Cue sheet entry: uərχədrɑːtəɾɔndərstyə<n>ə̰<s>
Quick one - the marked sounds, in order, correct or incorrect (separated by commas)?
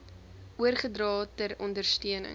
correct, incorrect